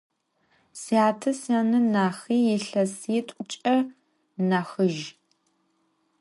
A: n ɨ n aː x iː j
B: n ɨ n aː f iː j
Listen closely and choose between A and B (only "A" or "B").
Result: A